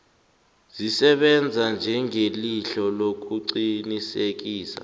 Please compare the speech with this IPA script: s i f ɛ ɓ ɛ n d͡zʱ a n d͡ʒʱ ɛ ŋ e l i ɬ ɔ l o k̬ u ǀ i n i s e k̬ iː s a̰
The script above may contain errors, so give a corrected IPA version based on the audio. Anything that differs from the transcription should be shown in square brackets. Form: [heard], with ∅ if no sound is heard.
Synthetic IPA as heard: [z] i [s] ɛ ɓ ɛ n d͡zʱ a n d͡ʒʱ ɛ ŋ e l i ɬ ɔ l o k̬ u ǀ i n i s e k̬ iː s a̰